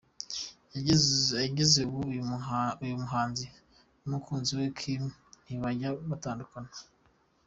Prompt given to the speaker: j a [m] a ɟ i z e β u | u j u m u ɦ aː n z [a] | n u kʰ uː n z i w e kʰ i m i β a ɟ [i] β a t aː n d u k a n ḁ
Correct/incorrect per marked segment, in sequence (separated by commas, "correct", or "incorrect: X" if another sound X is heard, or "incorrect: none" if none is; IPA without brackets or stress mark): incorrect: none, incorrect: i, incorrect: a